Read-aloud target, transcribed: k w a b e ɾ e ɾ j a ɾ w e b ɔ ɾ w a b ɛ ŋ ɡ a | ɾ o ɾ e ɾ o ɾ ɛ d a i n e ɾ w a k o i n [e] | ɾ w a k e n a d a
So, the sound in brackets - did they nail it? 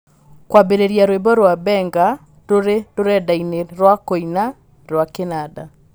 no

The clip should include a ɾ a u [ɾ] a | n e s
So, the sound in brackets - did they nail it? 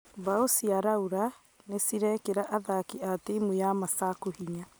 yes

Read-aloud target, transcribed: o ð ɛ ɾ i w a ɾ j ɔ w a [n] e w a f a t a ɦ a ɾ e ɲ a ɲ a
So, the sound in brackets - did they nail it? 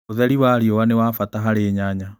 yes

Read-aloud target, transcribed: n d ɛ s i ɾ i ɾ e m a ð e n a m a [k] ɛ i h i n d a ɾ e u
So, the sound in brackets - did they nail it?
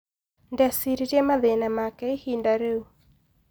yes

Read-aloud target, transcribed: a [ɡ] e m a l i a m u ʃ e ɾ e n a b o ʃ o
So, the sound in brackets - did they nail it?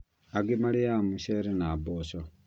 yes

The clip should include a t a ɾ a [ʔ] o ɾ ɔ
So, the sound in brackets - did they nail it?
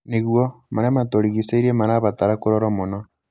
no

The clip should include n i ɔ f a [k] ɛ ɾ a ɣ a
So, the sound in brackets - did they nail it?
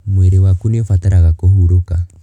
no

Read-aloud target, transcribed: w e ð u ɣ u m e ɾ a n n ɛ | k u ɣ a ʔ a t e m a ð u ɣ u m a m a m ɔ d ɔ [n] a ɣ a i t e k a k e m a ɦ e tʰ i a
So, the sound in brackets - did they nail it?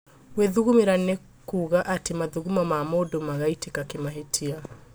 no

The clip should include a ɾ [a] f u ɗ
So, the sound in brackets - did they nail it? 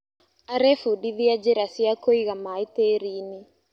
no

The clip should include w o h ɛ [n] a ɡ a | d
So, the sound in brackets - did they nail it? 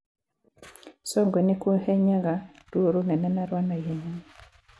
no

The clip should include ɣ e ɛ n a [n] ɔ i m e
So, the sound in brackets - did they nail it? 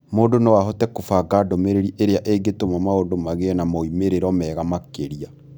no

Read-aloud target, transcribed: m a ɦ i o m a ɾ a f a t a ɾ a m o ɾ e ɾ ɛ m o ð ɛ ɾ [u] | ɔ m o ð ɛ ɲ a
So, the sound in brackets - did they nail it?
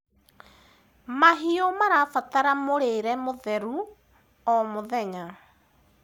yes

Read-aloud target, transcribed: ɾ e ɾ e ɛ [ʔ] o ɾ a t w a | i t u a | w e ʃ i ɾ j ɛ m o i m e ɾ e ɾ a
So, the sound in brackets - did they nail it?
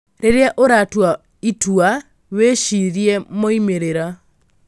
yes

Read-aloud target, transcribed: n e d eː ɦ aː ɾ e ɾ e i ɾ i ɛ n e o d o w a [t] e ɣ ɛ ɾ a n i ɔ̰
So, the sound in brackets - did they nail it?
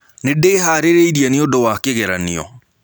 no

